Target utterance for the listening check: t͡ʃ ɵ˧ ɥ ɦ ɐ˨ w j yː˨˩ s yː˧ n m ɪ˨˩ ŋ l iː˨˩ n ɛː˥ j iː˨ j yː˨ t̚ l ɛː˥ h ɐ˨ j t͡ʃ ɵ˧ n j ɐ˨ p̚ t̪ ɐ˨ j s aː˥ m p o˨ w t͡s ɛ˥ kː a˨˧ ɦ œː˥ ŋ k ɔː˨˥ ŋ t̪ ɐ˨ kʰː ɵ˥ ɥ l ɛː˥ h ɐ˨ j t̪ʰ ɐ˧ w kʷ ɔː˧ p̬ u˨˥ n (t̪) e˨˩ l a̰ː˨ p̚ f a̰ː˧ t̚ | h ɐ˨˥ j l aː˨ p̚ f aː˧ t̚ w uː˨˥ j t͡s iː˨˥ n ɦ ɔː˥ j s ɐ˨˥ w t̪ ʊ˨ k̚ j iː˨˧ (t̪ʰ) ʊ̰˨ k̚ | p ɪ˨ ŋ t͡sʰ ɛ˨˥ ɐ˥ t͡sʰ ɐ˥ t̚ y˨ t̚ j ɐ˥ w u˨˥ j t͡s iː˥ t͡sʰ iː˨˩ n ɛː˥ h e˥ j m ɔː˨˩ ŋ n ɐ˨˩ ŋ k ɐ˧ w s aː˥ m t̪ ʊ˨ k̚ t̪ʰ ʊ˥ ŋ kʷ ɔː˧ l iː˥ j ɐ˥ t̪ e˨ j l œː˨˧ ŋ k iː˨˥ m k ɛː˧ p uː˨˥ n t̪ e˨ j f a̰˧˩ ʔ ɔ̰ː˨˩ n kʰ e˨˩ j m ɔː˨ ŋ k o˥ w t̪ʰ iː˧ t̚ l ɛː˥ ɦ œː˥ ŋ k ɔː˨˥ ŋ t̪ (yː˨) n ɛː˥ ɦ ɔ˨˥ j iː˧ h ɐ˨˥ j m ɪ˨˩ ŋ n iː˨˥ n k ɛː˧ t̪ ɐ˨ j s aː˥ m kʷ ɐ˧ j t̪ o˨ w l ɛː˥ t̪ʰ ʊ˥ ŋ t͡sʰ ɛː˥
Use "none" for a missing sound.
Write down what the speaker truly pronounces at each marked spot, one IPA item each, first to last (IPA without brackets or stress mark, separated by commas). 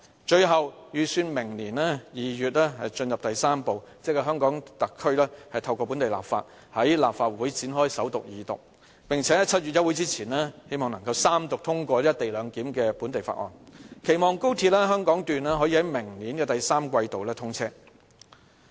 t̪, t̪, yː˨